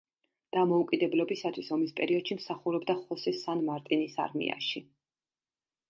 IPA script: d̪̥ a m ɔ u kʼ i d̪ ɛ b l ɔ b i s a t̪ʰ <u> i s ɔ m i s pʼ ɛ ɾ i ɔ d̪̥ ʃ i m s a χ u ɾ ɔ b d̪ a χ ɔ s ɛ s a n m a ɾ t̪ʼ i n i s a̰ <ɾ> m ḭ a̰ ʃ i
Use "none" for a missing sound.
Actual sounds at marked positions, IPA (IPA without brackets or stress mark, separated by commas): w, ɾ